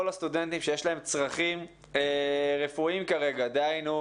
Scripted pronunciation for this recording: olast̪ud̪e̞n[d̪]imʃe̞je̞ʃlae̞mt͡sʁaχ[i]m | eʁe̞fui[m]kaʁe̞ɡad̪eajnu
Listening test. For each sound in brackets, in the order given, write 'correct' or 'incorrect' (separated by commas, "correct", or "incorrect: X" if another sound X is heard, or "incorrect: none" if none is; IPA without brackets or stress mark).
incorrect: t̪, correct, correct